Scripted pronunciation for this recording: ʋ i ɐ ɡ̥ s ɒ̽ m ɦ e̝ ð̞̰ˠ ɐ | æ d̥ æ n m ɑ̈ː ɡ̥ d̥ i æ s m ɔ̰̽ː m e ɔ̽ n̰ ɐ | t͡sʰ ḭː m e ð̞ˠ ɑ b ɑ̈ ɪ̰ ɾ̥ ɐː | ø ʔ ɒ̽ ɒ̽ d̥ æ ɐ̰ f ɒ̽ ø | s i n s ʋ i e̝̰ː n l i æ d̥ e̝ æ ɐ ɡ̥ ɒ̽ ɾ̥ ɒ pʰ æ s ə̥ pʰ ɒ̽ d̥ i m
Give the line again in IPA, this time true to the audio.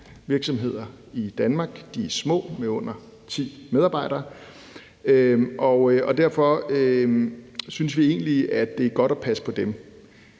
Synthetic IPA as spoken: ʋ i ɐ ɡ̥ s ɒ̽ m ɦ e̝ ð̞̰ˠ ɐ | i d̥ æ n m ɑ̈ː ɡ̥ d̥ i æ s m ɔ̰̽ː m e ɔ̽ n̰ ɐ | t͡sʰ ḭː m e ð̞ˠ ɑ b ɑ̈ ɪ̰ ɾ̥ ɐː | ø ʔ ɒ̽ ɒ̽ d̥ æ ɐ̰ f ɒ̽ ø | s y n s ʋ i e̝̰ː n l i æ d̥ e̝ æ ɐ ɡ̥ ɒ̽ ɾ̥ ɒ pʰ æ s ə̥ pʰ ɒ̽ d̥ e m